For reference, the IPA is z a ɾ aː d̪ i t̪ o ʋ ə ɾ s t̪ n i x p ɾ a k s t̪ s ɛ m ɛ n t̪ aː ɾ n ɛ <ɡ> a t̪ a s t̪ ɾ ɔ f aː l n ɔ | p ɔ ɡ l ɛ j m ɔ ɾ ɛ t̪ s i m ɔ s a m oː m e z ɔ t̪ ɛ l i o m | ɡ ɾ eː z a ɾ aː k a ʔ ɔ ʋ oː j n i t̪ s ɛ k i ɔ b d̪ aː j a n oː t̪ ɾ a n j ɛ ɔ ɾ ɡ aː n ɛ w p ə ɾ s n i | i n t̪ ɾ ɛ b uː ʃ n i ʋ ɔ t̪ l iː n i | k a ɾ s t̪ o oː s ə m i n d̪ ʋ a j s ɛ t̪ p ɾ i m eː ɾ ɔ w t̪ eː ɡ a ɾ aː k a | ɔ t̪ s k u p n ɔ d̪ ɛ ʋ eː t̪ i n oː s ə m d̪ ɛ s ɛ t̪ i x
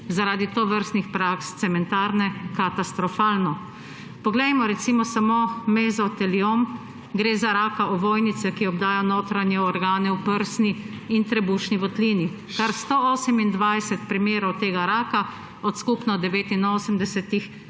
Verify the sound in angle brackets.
incorrect: k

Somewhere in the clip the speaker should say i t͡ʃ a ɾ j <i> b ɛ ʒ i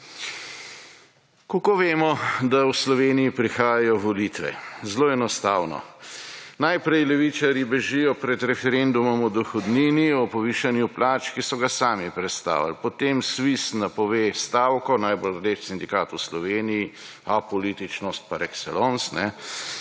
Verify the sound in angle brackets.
correct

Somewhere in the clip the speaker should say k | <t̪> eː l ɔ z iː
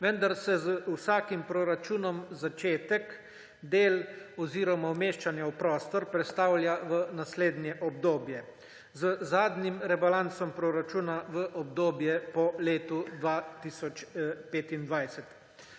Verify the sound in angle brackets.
incorrect: d̪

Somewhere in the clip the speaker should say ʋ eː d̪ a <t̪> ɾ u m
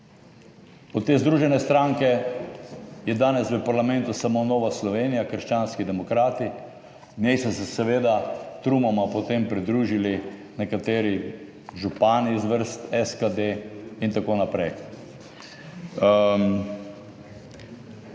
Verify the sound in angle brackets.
correct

